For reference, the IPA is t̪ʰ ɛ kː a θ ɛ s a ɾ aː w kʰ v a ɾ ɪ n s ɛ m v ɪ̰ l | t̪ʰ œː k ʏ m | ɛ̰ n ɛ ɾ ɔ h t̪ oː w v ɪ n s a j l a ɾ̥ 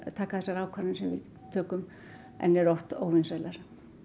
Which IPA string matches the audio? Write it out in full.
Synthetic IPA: t̪ʰ a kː a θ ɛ s a ɾ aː w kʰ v a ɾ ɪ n s ɛ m v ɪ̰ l | t̪ʰ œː k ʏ m | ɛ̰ n ɛ ɾ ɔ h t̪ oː w v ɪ n s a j l a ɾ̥

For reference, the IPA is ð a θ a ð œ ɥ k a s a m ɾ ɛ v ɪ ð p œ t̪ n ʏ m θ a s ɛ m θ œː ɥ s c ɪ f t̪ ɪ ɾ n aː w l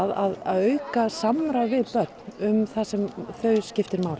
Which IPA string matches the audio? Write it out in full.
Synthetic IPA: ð a ð a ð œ ɥ k a s a m ɾ a v ɪ ð p œ t̪ n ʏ m θ a s ɛ m θ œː ɥ s c ɪ f t̪ ɪ ɾ m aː w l

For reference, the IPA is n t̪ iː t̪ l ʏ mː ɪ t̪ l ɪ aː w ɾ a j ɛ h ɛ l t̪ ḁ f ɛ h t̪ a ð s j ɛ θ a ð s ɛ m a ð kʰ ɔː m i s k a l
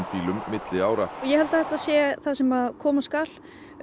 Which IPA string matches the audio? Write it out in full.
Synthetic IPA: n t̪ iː l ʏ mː ɪ t̪ l ɪ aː w ɾ a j ɛ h ɛ l t̪ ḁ θ ɛ h t̪ a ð s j ɛ θ a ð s ɛ m a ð kʰ ɔː m a s k a l

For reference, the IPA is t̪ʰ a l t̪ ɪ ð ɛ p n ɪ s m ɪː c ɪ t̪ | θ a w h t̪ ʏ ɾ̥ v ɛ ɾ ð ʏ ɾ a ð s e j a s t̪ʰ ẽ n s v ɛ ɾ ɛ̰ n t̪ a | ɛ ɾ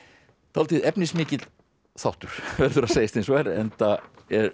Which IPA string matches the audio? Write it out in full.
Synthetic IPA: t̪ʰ a l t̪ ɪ ð ɛ p n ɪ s m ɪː c ɪ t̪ | θ a w h t̪ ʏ ɾ̥ v ɛ ɾ ð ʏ ɾ a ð s e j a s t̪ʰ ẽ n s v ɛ ɾ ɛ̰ n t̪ a | ɛ ɾ

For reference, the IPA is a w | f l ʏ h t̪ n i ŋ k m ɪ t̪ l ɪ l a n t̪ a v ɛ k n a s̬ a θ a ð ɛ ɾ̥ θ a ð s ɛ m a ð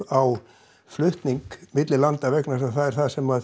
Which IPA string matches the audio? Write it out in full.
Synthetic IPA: a w | f l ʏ h t̪ n i ŋ k m ɪ t̪ l ɪ l a n t̪ a v ɛ k n a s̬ a θ a ð ɛ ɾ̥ θ a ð s ɛ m a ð

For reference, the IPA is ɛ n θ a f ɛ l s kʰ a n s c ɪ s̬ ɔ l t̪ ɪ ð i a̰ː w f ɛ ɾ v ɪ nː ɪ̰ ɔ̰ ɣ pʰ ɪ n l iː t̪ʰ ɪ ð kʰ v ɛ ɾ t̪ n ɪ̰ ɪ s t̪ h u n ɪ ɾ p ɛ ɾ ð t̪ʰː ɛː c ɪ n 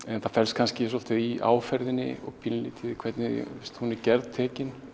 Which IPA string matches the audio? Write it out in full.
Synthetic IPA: ɛ n θ a f ɛ l s kʰ a n s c ɪ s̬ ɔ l t̪ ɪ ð i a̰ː w f ɛ ɾ ð ɪ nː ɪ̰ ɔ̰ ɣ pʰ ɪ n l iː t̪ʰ ɪ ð kʰ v ɛ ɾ t̪ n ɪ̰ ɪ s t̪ h u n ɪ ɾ c ɛ ɾ ð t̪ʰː ɛː c ɪ n

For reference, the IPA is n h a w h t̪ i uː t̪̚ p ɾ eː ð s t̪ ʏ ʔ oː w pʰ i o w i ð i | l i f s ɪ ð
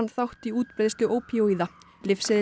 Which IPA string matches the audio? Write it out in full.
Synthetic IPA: n θ a w h t̪ i uː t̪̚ p ɾ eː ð s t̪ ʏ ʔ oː w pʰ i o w i ð a | l ɪ f s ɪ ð

